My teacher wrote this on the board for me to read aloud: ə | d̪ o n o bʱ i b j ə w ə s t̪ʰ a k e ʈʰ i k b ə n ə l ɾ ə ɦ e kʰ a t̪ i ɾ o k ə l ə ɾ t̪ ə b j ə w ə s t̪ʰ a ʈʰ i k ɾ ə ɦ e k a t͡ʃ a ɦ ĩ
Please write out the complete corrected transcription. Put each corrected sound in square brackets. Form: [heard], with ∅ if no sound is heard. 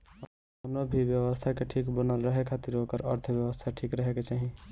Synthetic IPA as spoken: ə | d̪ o n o bʱ i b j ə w ə s t̪ʰ a k e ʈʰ i k b ə n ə l ɾ ə ɦ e kʰ a t̪ i ɾ o k ə [ɾ] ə ɾ [t̪ʰ] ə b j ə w ə s t̪ʰ a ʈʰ i k ɾ ə ɦ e k [e] t͡ʃ a ɦ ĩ